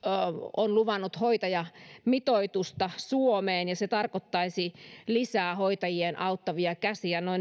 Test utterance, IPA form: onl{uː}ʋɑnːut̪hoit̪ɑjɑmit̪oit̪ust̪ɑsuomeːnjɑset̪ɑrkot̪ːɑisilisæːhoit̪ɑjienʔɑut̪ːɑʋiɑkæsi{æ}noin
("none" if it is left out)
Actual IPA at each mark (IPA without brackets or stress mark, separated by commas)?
u, æ